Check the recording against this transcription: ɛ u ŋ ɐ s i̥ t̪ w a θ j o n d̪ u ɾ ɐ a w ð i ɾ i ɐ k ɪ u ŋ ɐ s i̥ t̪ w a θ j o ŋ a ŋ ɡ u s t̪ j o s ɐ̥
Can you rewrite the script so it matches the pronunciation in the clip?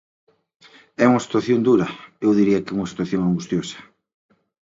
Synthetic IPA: ɛ u ŋ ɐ s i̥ t̪ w a θ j o n d̪ u ɾ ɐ e w ð i ɾ i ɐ k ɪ u ŋ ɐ s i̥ t̪ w a θ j o ŋ a ŋ ɡ u s t̪ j o s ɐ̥